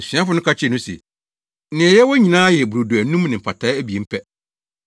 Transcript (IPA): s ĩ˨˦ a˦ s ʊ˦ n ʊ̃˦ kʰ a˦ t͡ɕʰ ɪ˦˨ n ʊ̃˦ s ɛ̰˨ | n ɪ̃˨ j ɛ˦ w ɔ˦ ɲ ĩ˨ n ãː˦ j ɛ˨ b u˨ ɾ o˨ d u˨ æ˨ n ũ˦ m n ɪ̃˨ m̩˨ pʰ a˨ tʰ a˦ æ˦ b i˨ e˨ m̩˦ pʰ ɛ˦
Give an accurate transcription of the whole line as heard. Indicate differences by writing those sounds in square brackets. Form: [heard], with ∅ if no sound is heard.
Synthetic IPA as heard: s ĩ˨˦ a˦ [f] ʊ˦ n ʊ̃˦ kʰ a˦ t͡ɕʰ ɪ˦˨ n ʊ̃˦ s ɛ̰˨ | n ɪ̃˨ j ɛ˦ w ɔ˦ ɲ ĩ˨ n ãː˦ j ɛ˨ b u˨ ɾ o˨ d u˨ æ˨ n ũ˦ m n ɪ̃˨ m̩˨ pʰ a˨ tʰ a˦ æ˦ b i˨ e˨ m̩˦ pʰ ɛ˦